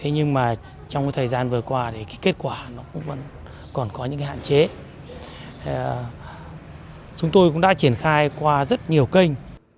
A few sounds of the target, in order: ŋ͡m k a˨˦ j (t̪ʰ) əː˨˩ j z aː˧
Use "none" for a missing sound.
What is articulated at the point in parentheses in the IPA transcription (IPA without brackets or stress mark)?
t̪ʰ